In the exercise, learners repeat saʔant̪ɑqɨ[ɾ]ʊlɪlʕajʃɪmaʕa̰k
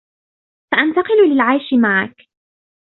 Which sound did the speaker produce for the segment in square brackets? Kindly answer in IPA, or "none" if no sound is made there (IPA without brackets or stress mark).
l